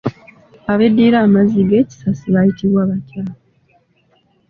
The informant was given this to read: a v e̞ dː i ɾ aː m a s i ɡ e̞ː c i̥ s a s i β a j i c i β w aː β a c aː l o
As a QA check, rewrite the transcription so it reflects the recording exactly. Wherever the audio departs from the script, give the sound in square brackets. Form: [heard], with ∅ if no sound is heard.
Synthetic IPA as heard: a [β] e̞ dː i ɾ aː m a [z] i ɡ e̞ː c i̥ s a s i β a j i [t] i β w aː β a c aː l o